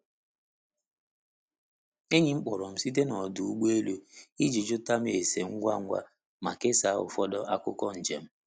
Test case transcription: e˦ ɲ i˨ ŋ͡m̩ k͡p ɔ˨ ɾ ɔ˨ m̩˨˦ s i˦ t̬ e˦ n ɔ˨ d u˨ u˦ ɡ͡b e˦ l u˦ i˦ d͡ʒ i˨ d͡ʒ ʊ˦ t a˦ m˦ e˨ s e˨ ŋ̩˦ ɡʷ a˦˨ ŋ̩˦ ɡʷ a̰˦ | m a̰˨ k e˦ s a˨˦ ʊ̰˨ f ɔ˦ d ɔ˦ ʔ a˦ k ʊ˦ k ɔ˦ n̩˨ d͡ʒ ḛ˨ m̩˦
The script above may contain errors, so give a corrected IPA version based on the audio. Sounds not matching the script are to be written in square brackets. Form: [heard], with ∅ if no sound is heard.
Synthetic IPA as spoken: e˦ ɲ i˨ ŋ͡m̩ k͡p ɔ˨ ɾ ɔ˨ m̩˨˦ s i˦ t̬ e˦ n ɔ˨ d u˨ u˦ ɡ͡b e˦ l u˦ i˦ d͡ʒ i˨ d͡ʒ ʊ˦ t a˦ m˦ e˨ s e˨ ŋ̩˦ ɡʷ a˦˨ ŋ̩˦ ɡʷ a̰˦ | m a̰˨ k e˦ s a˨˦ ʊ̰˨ f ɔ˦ d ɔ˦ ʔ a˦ k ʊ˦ k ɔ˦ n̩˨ d͡ʒ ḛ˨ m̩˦